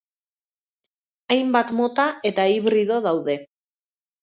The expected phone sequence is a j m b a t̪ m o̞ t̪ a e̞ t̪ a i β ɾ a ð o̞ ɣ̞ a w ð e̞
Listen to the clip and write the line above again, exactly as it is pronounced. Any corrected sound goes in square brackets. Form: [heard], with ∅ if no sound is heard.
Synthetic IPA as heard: a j m b a t̪ m o̞ t̪ a e̞ t̪ a i β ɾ [i] ð o̞ [ð̞] a w ð e̞